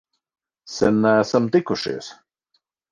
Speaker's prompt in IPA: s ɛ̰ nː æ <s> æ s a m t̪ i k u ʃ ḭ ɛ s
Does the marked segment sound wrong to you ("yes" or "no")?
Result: yes